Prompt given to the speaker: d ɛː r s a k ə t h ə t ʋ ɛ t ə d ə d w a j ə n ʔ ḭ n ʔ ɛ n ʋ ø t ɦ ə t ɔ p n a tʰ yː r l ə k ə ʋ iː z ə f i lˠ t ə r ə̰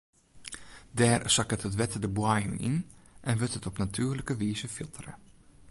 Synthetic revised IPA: d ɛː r s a k ə t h ə t ʋ ɛ t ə d ə b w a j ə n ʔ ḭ n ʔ ɛ n ʋ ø t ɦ ə t ɔ p n a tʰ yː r l ə k ə ʋ iː z ə f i lˠ t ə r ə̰